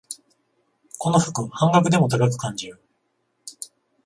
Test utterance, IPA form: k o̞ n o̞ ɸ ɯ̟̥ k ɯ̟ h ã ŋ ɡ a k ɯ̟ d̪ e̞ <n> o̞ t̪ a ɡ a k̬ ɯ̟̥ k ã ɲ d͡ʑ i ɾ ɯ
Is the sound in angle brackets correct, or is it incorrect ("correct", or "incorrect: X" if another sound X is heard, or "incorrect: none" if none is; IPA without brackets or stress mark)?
incorrect: m